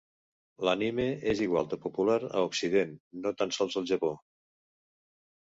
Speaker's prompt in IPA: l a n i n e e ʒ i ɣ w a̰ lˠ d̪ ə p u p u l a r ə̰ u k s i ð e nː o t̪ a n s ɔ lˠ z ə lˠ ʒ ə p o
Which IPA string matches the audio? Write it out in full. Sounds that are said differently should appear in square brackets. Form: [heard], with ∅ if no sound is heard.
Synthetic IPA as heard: l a n i [m] e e [z] i ɣ w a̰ lˠ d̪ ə p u p u l a [ɾ] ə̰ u k s i ð e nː o t̪ a n s ɔ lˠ z ə lˠ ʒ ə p o